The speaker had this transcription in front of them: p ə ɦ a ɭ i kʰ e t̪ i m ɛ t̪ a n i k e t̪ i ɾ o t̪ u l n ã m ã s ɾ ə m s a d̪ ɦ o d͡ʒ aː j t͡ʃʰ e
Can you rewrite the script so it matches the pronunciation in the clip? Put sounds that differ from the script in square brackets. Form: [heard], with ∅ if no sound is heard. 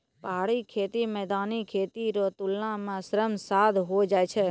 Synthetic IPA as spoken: p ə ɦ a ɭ i kʰ e t̪ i m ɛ [d̪] a n i [kʰ] e t̪ i ɾ o t̪ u l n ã m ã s ɾ ə m s a d̪ ɦ o d͡ʒ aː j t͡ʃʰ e